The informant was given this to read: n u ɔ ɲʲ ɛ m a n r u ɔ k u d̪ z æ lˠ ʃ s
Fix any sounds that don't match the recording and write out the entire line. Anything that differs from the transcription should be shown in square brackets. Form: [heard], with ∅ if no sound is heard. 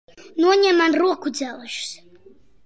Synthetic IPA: n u ɔ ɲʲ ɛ m a n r u ɔ k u d̪ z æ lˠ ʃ s